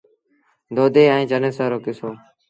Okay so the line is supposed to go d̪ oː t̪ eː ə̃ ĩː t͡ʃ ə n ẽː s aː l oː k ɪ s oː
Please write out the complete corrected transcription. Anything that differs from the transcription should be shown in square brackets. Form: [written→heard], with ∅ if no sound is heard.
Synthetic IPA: d̪ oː [t̪→d̪] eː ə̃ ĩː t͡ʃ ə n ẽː s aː [l→ɾ] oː k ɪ s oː